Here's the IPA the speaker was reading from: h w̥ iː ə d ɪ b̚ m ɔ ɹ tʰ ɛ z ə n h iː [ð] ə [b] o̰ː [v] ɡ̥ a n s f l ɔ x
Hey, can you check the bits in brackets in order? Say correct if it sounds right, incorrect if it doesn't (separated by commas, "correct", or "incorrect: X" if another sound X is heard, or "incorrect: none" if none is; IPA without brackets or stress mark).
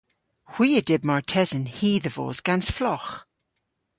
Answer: correct, incorrect: v, incorrect: z